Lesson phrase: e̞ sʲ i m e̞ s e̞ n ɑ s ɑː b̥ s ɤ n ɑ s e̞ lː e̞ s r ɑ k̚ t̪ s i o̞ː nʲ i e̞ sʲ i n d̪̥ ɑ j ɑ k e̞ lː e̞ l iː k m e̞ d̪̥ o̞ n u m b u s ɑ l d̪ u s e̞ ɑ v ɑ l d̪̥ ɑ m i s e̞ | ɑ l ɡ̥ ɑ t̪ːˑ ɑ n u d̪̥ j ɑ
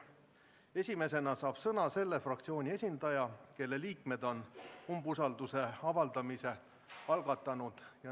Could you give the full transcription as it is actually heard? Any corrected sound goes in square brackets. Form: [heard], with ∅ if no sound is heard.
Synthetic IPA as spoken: e̞ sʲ i m e̞ s e̞ n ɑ s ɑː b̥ s ɤ n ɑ s e̞ lː e̞ [f] r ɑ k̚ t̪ s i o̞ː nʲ i e̞ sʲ i n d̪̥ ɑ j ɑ k e̞ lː e̞ l iː k m e̞ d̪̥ o̞ n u m b u s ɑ l d̪ u s e̞ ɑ v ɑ l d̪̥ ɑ m i s e̞ | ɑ l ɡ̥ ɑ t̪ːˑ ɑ n u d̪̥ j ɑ